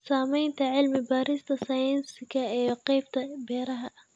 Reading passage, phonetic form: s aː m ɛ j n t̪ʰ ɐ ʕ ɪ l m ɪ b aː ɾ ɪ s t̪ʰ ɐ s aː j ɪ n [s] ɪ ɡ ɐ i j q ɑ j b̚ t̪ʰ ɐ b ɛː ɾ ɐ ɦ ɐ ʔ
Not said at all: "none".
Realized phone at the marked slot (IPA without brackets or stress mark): s